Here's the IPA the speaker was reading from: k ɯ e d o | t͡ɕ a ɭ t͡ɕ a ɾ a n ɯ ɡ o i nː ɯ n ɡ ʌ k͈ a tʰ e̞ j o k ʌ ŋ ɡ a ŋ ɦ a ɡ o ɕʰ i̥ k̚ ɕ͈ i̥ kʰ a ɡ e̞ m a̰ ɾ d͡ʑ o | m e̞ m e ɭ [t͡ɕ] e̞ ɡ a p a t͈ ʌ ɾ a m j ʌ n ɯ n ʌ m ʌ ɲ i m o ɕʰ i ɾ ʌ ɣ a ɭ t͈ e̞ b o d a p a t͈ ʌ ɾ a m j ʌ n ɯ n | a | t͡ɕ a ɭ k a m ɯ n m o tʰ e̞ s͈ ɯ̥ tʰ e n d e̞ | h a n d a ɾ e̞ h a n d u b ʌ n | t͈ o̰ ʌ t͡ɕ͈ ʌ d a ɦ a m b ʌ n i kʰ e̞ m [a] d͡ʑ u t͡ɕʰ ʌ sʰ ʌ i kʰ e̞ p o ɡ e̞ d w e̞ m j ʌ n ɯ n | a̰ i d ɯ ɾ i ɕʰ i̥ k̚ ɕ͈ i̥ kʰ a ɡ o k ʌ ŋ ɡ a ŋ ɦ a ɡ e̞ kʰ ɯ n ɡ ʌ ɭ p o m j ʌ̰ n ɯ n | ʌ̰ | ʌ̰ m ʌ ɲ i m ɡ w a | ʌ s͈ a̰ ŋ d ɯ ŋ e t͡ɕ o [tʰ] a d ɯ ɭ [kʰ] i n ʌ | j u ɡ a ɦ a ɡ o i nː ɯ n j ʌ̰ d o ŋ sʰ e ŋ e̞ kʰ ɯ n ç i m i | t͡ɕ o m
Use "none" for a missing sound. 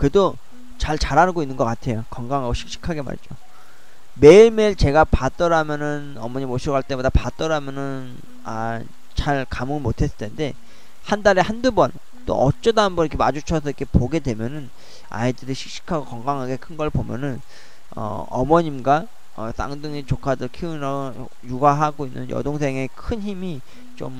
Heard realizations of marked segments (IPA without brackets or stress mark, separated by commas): t͡ɕ, a, kʰ, kʰ